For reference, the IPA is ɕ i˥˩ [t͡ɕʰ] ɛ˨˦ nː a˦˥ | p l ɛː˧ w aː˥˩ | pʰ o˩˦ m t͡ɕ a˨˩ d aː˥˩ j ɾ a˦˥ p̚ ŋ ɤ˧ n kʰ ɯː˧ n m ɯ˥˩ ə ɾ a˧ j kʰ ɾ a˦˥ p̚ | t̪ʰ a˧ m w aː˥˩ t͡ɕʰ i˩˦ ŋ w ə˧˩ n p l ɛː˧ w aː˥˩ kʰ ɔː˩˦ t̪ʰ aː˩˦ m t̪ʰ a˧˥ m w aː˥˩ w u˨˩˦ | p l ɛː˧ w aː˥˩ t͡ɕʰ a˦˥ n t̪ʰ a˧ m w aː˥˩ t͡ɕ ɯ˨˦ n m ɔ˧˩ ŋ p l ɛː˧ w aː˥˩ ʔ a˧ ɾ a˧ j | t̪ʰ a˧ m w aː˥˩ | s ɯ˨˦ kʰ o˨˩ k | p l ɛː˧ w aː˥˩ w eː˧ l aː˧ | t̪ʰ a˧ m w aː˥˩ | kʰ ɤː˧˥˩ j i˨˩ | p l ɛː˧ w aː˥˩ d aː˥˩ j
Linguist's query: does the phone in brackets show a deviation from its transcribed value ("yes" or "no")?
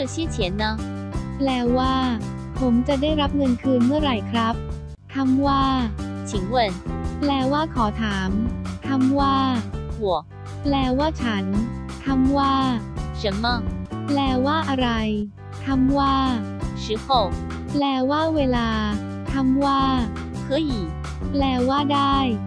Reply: no